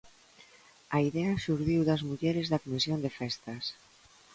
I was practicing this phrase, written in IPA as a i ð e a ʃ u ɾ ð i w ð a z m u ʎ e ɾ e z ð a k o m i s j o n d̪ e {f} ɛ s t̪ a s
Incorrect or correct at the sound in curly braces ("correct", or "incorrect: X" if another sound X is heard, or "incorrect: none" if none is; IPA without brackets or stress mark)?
correct